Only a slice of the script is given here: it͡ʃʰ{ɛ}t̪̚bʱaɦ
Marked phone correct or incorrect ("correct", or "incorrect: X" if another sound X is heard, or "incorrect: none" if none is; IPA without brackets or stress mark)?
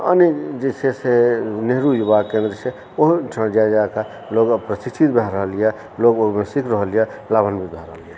incorrect: i